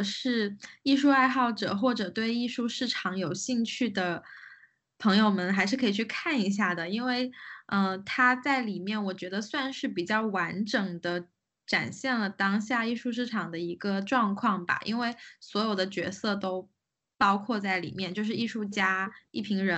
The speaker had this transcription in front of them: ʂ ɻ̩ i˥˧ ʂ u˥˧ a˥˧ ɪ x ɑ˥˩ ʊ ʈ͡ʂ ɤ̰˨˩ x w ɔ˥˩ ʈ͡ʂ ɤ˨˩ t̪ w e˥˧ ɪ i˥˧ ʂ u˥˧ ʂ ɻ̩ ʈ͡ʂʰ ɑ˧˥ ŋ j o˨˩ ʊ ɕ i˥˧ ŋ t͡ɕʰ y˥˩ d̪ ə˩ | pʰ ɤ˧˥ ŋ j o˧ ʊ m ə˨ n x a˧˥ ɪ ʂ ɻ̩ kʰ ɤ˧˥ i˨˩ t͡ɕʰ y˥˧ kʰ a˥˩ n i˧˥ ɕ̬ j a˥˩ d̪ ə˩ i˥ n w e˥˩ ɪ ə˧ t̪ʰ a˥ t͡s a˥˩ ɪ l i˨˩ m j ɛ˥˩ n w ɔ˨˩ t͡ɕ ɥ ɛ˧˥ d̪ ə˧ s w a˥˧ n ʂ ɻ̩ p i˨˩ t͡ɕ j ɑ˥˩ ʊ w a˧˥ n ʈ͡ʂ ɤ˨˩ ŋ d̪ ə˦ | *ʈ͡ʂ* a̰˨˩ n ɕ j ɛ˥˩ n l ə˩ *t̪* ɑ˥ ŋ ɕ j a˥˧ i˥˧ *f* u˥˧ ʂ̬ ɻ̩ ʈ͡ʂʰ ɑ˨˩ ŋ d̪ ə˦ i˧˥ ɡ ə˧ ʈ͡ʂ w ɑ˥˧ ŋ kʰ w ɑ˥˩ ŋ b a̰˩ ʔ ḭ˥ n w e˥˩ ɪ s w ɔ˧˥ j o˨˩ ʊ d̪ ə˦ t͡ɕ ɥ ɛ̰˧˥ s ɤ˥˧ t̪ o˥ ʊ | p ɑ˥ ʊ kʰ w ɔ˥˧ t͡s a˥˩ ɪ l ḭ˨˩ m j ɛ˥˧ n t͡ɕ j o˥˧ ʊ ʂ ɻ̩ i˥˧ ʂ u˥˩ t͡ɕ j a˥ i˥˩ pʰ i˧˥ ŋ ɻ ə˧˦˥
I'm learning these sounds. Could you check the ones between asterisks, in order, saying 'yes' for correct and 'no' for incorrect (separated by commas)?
yes, yes, no